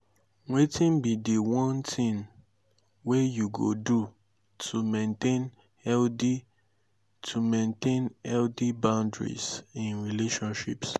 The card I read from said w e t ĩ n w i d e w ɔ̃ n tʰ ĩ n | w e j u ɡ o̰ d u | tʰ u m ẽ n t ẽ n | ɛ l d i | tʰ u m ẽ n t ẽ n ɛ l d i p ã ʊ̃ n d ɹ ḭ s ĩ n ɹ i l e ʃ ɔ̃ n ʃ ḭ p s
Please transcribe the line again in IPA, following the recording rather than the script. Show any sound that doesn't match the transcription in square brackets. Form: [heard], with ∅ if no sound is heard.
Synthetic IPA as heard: w e t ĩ n [b] i d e w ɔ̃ n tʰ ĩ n | w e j u ɡ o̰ d u | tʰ u m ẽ n t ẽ n | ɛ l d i | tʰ u m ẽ n t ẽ n ɛ l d i [b] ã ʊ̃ n d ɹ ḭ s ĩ n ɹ i l e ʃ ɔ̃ n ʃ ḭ p s